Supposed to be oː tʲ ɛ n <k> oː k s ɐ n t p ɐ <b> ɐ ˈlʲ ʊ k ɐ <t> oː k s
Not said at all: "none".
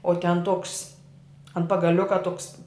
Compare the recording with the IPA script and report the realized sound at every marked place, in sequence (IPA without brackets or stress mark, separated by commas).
t, ɡ, t